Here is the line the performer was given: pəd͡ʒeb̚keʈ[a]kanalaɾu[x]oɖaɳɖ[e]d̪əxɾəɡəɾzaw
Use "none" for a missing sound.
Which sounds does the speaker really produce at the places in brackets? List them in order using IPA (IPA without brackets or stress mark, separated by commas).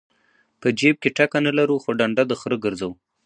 a, x, a